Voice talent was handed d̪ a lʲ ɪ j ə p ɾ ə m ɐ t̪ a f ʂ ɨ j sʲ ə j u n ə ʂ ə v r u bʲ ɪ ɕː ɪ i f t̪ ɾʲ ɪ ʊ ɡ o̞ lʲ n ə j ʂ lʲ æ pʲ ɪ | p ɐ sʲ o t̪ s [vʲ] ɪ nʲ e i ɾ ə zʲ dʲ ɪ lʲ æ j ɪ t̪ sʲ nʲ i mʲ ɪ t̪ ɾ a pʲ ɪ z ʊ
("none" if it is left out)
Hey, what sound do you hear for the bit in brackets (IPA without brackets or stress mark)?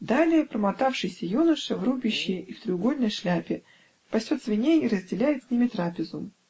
vʲ